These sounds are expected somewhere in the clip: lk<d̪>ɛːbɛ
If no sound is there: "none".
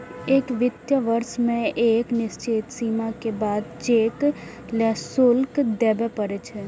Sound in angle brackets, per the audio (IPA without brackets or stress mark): d̪